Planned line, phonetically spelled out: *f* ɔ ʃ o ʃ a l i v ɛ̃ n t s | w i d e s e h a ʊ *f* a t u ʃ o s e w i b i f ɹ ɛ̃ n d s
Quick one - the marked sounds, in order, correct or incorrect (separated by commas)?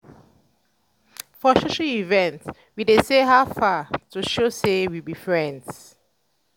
correct, correct